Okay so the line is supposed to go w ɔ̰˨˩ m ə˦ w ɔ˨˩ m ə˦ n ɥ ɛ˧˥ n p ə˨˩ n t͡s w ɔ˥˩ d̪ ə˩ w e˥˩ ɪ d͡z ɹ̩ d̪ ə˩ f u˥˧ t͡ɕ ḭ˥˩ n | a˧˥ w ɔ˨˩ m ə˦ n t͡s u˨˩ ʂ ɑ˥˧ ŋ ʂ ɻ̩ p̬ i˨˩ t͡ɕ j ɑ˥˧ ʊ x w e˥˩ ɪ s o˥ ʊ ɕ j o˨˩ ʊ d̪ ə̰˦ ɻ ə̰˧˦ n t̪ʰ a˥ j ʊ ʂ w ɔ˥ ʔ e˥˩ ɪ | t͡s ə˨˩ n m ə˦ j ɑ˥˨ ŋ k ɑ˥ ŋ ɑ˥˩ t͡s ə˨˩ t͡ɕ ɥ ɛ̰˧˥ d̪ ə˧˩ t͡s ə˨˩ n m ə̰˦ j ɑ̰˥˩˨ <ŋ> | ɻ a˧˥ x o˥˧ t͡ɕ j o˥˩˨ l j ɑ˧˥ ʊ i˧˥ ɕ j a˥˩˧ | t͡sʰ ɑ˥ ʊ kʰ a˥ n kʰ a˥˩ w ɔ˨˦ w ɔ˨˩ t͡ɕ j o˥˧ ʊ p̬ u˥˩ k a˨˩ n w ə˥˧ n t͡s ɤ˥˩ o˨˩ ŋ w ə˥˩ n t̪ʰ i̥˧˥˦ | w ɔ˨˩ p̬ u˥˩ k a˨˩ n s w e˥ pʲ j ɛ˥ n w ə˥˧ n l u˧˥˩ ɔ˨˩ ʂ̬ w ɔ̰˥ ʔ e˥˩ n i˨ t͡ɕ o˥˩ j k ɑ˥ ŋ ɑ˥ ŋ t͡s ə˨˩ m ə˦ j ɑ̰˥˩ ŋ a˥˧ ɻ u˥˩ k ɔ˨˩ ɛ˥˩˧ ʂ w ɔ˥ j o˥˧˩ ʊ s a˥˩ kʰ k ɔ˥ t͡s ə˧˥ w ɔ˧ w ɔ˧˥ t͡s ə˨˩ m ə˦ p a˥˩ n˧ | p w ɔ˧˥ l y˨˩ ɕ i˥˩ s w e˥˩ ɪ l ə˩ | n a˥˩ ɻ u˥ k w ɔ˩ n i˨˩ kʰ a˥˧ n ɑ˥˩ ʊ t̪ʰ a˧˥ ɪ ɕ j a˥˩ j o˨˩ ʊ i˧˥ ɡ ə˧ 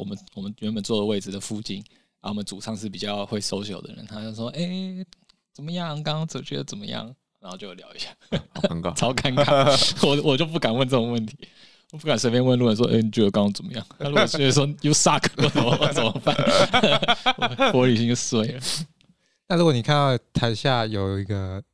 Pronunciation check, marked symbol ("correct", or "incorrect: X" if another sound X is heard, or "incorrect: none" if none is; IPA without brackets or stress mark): correct